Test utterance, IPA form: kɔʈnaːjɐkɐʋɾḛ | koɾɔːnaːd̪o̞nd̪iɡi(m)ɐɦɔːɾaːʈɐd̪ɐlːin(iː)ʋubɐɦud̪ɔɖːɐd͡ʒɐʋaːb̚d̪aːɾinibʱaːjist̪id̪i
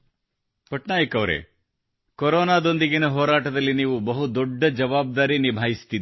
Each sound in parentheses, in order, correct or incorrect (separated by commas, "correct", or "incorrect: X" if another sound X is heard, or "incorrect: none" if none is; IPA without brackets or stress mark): incorrect: n, correct